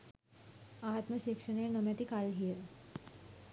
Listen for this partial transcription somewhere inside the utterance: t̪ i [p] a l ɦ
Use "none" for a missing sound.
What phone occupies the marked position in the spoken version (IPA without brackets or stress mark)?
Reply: k